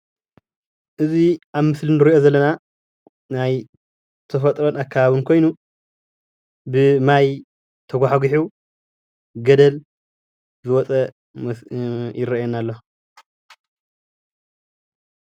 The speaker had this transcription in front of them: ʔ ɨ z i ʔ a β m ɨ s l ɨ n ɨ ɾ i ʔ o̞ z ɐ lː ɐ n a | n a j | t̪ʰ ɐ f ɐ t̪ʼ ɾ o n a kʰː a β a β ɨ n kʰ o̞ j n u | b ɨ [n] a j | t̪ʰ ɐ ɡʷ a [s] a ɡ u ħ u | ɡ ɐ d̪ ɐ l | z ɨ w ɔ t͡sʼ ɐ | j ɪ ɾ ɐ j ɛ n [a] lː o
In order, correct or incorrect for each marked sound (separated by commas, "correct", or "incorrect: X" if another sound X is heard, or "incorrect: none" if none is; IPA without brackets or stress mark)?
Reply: incorrect: m, incorrect: ħ, correct